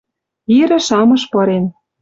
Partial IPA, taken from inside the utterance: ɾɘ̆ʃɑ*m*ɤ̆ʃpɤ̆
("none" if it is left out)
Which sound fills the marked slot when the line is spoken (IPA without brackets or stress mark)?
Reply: m